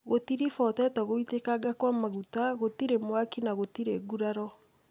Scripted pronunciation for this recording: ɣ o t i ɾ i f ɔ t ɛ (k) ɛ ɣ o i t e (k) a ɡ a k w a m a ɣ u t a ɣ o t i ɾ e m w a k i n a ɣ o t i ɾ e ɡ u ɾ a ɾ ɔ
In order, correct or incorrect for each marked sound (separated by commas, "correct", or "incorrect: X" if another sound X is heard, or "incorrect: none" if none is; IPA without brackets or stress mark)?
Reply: incorrect: t, correct